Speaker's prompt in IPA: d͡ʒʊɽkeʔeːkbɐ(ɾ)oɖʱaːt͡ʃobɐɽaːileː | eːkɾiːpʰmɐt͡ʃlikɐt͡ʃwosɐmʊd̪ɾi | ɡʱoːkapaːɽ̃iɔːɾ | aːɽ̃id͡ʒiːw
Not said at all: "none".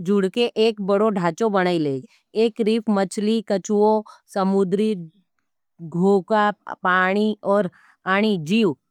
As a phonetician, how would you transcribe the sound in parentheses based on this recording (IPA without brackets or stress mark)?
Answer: ɽ